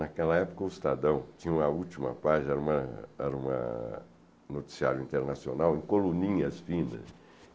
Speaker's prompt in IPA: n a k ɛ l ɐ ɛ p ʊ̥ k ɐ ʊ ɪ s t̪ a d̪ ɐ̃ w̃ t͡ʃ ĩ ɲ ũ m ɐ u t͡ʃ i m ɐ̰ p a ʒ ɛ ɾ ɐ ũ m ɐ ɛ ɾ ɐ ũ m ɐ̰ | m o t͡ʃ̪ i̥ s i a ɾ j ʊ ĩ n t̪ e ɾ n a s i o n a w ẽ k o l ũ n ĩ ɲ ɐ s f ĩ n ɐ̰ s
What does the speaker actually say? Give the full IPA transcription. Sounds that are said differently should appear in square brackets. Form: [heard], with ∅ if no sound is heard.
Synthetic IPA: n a k ɛ l ɐ ɛ p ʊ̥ k ɐ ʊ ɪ s t̪ a d̪ ɐ̃ w̃ t͡ʃ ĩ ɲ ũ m ɐ u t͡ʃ i m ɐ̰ p a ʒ ɛ ɾ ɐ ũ m ɐ ɛ ɾ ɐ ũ m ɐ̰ | [n] o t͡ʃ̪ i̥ s i a ɾ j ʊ ĩ n t̪ e ɾ n a s i o n a w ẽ k o l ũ n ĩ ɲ ɐ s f ĩ n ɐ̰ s